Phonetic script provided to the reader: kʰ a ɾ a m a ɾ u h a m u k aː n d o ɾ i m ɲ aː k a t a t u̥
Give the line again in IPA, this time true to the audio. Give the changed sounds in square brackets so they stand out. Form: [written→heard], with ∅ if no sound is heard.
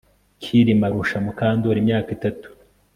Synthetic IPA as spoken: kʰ [a→i] ɾ [a→i] m a ɾ u [h→ʃ] a m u k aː n d o ɾ i m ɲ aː k [a→i] t a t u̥